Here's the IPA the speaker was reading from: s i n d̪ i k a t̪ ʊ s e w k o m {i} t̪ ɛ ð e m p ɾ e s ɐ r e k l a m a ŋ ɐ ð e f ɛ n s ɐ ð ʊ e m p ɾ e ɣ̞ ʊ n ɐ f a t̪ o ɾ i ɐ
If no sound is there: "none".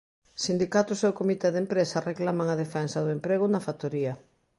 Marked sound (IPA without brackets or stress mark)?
i